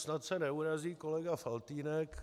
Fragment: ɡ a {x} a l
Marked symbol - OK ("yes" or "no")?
no